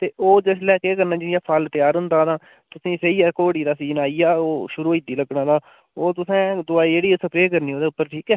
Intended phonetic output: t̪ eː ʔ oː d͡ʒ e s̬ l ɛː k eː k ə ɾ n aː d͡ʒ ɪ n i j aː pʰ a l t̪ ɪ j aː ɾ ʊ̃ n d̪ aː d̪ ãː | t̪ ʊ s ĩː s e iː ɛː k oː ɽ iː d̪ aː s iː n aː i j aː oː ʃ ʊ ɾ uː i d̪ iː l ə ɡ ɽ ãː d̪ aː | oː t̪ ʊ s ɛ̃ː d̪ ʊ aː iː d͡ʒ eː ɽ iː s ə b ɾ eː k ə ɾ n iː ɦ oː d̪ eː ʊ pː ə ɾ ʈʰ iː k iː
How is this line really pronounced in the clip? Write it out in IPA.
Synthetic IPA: t̪ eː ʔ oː d͡ʒ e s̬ l ɛː k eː k ə ɾ n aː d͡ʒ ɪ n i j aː pʰ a l t̪ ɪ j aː ɾ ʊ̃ n d̪ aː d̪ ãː | t̪ ʊ s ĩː s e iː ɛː k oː ɽ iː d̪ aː s iː n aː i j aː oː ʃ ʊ ɾ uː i d̪ iː l ə ɡ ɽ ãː d̪ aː | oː t̪ ʊ s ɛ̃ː d̪ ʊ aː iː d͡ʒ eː ɽ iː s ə p ɾ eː k ə ɾ n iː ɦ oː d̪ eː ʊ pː ə ɾ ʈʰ iː k ɛː